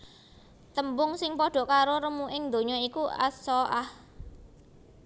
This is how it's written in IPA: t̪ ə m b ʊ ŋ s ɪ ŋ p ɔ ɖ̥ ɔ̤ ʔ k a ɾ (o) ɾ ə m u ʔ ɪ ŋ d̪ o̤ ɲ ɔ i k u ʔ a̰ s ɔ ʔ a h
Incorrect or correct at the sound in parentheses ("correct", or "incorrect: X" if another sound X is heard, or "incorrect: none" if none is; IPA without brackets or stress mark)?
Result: correct